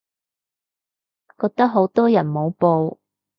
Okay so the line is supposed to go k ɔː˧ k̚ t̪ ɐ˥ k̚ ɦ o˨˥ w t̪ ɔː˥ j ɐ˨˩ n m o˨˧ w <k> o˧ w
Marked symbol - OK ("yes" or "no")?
no